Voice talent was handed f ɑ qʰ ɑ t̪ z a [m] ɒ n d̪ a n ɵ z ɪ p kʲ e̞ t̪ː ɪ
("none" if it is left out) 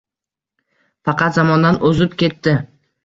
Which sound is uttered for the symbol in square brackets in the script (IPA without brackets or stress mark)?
m